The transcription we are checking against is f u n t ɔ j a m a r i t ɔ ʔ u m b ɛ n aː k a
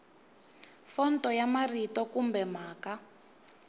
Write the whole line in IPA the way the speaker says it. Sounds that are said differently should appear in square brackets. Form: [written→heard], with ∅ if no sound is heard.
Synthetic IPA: f [u→ɔ] n t ɔ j a m a r i t ɔ [ʔ→k] u m b ɛ [n→m] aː k a